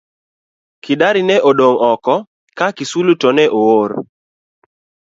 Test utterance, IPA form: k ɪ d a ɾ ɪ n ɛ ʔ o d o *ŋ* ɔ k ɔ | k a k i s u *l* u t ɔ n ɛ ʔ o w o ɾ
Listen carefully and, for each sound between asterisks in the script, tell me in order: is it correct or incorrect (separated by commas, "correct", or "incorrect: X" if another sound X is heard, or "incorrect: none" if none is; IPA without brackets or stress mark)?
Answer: correct, correct